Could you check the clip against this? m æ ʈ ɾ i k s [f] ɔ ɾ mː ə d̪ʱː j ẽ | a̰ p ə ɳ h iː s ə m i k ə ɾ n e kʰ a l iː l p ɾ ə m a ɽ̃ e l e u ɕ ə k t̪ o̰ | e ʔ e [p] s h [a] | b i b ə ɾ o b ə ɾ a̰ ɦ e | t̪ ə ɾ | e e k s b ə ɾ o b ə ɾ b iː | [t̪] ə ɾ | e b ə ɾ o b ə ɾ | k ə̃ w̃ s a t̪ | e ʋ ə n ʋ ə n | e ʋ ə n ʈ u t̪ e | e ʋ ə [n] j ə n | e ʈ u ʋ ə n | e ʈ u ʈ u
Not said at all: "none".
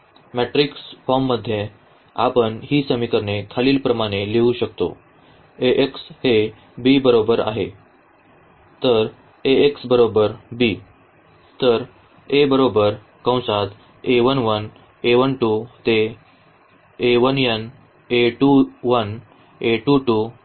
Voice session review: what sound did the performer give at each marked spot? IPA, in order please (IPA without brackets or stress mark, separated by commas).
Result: f, k, e, t̪, n